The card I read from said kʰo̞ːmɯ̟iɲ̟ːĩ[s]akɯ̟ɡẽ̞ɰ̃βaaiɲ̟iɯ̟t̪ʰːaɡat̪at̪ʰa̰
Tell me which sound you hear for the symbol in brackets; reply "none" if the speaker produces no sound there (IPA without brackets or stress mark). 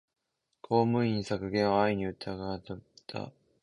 s